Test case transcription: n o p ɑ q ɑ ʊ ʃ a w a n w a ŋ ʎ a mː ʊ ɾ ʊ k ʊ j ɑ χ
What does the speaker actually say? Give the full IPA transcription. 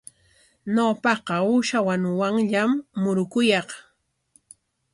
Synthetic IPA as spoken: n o p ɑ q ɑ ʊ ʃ a w a n w a ŋ ʎ a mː ʊ ɾ ʊ k ʊ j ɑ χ